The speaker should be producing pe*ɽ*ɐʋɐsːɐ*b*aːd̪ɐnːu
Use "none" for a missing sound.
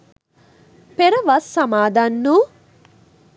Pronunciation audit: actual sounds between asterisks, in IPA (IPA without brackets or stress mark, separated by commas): ɾ, m